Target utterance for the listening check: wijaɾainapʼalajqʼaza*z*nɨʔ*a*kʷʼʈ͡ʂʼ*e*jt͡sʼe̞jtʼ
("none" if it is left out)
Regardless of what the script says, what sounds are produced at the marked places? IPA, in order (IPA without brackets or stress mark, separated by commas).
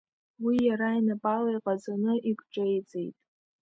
none, i, e